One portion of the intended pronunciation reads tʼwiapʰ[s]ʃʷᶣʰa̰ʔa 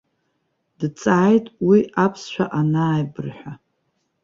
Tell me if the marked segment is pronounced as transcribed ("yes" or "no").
yes